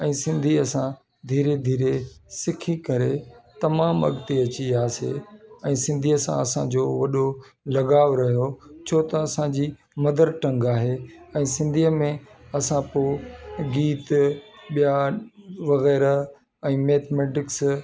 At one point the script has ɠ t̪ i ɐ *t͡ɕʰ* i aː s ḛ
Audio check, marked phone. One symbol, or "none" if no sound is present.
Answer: t͡ɕ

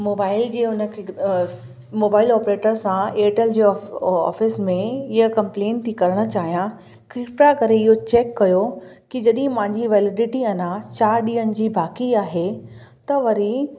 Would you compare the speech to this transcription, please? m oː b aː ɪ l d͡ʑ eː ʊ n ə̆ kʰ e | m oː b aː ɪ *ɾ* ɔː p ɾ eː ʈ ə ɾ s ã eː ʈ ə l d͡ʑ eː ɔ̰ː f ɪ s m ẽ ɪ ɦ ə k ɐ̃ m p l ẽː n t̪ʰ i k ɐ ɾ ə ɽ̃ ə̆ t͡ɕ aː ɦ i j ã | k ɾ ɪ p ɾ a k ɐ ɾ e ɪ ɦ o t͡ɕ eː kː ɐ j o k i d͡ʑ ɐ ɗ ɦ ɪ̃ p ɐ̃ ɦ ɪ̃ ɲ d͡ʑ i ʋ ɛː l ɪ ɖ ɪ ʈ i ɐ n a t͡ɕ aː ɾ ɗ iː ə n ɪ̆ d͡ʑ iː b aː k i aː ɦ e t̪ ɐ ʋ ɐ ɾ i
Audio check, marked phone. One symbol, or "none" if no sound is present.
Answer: l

